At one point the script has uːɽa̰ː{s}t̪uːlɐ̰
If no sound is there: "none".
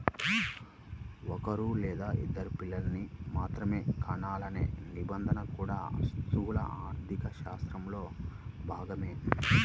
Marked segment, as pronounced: s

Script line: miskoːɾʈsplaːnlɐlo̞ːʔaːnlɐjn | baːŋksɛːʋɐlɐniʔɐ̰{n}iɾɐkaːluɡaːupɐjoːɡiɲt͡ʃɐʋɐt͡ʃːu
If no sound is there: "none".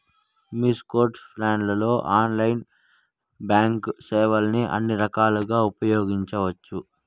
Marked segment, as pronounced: nː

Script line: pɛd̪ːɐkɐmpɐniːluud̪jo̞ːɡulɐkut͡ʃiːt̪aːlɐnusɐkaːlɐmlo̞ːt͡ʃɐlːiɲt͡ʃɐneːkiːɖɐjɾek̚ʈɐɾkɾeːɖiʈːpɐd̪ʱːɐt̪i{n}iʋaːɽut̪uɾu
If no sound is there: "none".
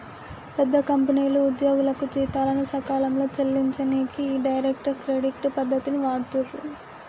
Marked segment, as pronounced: n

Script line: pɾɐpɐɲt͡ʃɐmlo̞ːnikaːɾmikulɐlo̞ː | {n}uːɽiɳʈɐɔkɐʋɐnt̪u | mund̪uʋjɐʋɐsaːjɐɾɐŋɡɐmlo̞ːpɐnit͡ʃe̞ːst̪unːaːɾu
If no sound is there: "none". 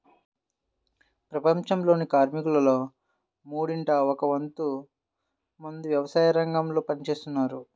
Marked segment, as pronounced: m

